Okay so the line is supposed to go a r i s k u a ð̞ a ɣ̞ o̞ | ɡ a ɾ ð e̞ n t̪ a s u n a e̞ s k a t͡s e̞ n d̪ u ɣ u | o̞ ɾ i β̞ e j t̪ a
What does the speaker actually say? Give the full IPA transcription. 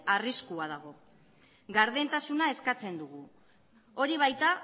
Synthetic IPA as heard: a r i s k u a ð̞ a ɣ̞ o̞ | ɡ a ɾ ð e̞ n t̪ a s u n a e̞ s k a t͡s e̞ n d̪ u ɣ u | o̞ ɾ i β̞ a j t̪ a